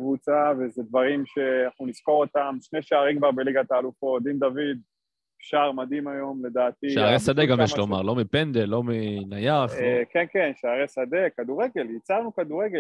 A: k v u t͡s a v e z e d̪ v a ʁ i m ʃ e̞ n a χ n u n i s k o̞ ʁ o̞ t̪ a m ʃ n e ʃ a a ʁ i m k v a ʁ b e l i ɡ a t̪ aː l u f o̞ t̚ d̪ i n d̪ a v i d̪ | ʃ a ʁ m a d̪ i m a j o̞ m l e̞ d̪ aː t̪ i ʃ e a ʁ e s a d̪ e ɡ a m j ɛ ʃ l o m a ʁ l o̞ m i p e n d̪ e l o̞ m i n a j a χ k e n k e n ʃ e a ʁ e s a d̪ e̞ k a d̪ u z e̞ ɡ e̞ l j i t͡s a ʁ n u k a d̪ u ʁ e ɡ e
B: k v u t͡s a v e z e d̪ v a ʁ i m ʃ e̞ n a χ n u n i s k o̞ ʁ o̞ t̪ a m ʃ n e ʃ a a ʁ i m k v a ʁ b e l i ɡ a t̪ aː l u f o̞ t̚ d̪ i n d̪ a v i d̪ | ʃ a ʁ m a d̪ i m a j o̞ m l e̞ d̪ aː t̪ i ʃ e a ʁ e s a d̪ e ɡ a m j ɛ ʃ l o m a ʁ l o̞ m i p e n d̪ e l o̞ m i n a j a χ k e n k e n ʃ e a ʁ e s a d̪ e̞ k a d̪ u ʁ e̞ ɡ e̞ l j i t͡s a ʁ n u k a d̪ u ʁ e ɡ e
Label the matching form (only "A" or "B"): B